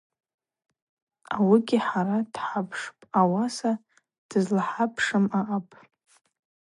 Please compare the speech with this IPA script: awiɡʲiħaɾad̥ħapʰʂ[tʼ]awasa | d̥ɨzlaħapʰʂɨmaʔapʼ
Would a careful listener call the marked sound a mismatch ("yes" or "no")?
yes